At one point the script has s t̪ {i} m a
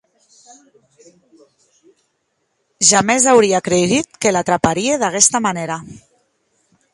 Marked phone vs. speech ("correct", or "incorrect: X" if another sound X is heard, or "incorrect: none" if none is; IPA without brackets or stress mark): incorrect: a